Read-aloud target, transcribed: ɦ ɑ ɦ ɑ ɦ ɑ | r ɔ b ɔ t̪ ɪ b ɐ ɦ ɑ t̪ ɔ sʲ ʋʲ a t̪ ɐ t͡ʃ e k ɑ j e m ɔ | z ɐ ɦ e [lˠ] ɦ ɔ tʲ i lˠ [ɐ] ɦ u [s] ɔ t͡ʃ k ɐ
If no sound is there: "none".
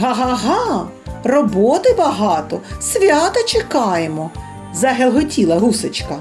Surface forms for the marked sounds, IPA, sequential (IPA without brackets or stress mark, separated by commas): lˠ, ɐ, s